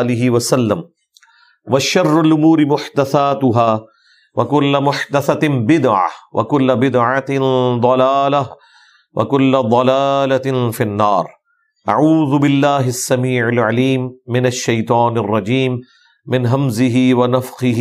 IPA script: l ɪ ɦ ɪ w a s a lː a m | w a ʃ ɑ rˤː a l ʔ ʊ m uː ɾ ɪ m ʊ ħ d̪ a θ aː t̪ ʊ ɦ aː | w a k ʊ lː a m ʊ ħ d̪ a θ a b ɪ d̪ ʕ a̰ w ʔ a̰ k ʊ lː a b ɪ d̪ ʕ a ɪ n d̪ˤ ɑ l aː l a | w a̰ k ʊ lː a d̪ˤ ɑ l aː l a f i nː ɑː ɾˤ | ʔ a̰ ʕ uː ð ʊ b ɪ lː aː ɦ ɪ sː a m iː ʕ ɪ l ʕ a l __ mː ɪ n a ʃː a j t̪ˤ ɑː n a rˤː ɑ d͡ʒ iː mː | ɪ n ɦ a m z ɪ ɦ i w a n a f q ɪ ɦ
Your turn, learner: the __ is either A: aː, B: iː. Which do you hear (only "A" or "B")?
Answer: B